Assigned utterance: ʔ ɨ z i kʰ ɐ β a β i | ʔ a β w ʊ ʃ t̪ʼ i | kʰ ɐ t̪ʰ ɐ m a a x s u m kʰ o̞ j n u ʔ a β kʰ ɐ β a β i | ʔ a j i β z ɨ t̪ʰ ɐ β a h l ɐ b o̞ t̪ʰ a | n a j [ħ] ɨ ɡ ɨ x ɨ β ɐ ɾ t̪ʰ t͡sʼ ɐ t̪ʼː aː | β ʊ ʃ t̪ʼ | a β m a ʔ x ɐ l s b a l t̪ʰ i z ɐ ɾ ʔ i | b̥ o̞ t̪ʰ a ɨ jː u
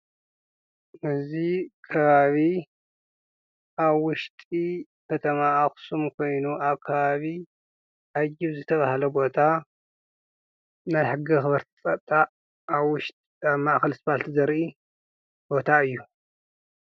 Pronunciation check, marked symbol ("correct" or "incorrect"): correct